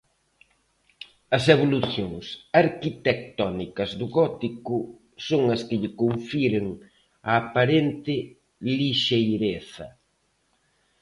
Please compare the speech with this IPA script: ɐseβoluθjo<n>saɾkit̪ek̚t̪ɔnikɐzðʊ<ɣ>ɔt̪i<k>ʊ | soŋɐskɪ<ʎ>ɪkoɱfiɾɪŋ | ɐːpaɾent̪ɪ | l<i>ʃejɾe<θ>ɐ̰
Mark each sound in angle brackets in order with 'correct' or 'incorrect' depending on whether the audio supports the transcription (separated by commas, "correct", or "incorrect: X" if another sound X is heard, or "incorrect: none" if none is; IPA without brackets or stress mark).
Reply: incorrect: ŋ, correct, correct, correct, correct, correct